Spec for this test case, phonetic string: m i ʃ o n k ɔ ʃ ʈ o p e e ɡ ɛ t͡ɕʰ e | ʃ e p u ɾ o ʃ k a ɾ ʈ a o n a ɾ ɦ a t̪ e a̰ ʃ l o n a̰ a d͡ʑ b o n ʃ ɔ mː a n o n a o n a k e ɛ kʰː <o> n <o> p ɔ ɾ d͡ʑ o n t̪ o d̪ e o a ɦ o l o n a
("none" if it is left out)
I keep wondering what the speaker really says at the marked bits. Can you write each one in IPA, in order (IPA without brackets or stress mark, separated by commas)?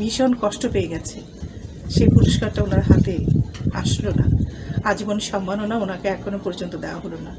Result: o, o